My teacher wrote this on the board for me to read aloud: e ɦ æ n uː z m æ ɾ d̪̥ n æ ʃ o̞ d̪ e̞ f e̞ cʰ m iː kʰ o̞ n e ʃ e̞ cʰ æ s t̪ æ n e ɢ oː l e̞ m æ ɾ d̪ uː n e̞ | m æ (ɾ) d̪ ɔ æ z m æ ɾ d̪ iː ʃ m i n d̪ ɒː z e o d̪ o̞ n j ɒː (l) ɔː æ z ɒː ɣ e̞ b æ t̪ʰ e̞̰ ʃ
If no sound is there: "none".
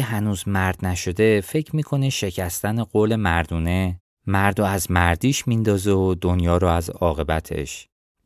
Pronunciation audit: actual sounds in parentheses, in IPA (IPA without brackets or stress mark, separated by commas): ɾ, ɾ